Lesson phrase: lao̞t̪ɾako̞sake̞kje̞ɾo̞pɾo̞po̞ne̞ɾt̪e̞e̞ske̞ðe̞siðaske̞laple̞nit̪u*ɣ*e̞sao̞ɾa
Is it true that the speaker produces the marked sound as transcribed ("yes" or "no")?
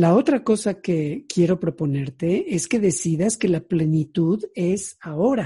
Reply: no